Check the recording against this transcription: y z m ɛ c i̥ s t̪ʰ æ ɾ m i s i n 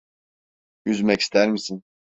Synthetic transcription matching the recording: y z m ɛ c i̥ s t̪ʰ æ ɾ m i s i n

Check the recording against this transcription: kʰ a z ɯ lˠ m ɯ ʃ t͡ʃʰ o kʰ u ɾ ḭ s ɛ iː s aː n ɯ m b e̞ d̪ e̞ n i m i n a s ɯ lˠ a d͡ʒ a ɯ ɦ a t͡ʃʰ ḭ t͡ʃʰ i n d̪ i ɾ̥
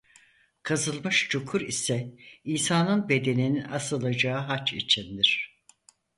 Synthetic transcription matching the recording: kʰ a z ɯ lˠ m ɯ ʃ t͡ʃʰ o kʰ u ɾ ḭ s ɛ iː s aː n ɯ n b e̞ d̪ e̞ n i n i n a s ɯ lˠ a d͡ʒ a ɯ ɦ a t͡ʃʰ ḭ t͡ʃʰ i n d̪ i ɾ̥

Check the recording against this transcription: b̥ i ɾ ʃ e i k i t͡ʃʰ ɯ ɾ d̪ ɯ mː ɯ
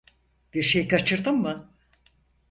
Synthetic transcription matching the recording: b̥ i ɾ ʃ e j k a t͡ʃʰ ɯ ɾ d̪ ɯ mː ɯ

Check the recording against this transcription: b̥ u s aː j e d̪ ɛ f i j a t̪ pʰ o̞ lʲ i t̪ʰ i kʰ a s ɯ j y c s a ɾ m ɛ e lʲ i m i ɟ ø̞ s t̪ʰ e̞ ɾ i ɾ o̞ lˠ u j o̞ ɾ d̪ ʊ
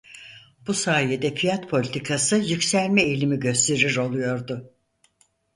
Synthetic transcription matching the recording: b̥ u s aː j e d̪ ɛ f i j a t̪ pʰ o̞ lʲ i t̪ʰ i kʰ a s ɯ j y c s æ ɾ m ɛ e lʲ i m i ɟ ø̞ s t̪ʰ e̞ ɾ i ɾ o̞ lˠ u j o̞ ɾ d̪ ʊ

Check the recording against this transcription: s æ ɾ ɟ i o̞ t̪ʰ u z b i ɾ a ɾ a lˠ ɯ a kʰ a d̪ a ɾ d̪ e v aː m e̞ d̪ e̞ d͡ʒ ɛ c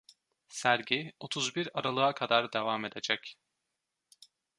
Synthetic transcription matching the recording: s æ ɾ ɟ i o̞ t̪ʰ u z b i ɾ a ɾ a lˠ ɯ a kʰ a d̪ a ɾ d̪ e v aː m e̞ d̪ e̞ d͡ʒ ɛ c

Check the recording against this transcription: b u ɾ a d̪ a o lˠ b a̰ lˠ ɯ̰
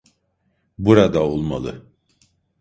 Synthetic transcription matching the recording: b u ɾ a d̪ a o lˠ m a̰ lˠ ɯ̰

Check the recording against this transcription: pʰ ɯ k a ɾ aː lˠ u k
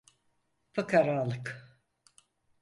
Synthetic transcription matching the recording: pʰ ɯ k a ɾ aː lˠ ɯ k

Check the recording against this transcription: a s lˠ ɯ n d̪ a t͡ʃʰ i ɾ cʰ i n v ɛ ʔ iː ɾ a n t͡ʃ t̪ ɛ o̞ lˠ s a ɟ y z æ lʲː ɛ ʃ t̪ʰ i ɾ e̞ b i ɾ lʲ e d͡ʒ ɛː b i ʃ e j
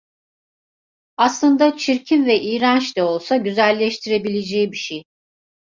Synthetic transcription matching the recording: a s lˠ ɯ n d̪ a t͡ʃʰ i ɾ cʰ i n v ɛ ʔ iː ɾ a n t͡ʃ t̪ ɛ o̞ lˠ s a ɟ y z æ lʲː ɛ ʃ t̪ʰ i ɾ e̞ b i lʲ e d͡ʒ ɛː b i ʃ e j

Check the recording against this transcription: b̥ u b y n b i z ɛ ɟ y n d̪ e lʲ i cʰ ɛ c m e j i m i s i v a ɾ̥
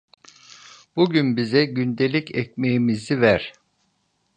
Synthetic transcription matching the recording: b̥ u ɟ y n b i z ɛ ɟ y n d̪ e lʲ i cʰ ɛ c m e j i m i z i v æ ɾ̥

